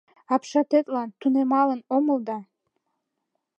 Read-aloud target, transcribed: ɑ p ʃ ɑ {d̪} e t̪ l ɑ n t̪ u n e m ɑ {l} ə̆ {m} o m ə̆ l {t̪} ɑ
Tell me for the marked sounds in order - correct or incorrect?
incorrect: t̪, correct, incorrect: n, incorrect: d̪

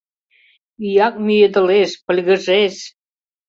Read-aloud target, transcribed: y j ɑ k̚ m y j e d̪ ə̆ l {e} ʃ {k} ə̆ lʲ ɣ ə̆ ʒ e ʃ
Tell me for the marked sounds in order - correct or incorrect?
correct, incorrect: p

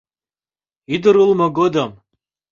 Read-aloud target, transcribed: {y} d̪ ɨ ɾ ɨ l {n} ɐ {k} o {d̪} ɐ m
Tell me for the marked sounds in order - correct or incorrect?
incorrect: i, incorrect: m, incorrect: ɡ, correct

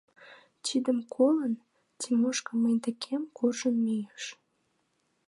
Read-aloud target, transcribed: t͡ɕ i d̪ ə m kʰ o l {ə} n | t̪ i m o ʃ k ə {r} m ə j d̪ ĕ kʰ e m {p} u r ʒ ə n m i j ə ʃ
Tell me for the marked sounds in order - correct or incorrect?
correct, incorrect: none, incorrect: k

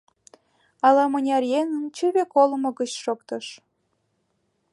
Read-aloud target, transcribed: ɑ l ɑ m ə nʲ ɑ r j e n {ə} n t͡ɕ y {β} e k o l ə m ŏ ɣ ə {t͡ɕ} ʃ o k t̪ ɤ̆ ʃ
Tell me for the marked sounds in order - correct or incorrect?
correct, correct, correct

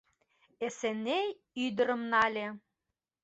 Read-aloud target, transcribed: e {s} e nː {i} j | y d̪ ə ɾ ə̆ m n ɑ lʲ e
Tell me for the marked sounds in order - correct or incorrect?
correct, incorrect: e

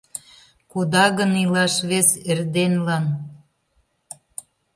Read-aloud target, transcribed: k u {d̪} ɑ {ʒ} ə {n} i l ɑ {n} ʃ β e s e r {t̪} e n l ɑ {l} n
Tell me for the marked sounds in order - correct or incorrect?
correct, incorrect: ɣ, correct, incorrect: none, incorrect: d̪, incorrect: none

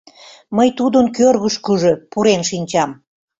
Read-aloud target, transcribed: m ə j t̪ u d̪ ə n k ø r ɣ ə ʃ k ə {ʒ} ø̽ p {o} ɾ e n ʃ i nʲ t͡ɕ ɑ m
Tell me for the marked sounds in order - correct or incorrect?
correct, incorrect: u

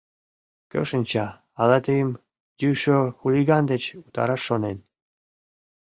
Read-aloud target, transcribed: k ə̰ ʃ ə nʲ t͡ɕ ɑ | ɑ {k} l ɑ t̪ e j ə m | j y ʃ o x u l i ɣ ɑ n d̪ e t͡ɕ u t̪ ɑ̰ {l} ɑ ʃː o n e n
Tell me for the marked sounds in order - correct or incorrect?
incorrect: none, incorrect: ɾ

